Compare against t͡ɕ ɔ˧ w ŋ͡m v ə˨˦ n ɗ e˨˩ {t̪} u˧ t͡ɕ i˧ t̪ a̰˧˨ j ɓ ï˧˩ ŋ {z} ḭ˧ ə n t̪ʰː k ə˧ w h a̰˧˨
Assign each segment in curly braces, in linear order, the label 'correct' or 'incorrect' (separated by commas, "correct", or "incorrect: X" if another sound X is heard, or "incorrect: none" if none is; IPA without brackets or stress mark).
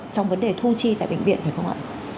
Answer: incorrect: t̪ʰ, incorrect: v